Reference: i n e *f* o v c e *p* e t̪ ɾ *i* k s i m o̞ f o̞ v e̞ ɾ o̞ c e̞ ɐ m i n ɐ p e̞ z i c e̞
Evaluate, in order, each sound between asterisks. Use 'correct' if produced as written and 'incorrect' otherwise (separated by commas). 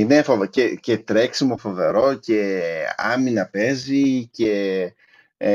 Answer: correct, incorrect, incorrect